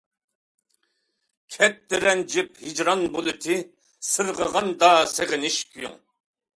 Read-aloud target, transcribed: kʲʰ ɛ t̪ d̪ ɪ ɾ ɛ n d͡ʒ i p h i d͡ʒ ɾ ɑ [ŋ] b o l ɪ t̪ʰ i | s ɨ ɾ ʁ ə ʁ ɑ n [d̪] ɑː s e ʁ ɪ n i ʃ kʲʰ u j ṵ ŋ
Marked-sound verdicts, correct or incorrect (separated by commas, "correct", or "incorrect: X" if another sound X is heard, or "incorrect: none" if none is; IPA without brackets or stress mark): incorrect: n, correct